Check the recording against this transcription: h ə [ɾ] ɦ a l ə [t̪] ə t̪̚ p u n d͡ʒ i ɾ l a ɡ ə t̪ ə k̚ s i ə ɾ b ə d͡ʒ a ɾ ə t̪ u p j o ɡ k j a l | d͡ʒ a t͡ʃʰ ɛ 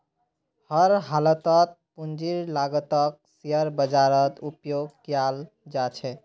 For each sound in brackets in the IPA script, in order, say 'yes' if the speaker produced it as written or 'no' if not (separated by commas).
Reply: yes, yes